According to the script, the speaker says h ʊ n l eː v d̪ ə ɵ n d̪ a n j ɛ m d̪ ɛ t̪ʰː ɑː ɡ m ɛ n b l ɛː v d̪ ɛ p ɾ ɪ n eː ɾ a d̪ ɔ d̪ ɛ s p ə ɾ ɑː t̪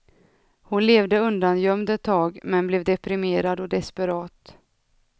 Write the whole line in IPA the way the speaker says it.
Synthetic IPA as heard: h ʊ n l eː v d̪ ə ɵ n d̪ a n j œ m d̪ ɛ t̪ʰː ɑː ɡ m ɛ n b l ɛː v d̪ ɛ p ɾ ɪ m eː ɾ a d̪ ɔ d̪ ɛ s p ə ɾ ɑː t̪